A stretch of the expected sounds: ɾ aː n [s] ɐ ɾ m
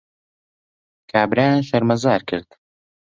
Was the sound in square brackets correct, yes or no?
no